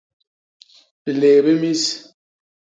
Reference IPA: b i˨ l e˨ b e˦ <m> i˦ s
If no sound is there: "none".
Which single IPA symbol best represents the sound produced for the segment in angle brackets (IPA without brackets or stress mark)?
m